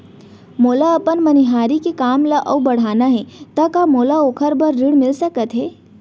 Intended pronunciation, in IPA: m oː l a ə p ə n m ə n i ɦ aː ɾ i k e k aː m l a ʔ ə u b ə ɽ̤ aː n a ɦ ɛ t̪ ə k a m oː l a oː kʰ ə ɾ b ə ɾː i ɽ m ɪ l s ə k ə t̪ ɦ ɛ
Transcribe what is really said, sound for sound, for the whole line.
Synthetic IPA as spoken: m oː l a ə p ə n m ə n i ɦ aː ɾ i k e k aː m l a ʔ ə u b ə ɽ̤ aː n a ɦ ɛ t̪ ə k a m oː l a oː kʰ ə ɾ b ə ɾː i ɽ m ɪ l s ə k ə t̪ ɦ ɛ